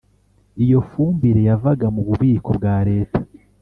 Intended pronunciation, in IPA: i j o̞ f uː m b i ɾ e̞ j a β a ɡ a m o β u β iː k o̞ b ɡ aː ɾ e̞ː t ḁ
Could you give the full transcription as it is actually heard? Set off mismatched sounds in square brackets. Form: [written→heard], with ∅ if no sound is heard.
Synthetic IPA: i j o̞ f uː m b i ɾ e̞ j a [β→v] a ɡ a m [o→u] β u β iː k o̞ b ɡ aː ɾ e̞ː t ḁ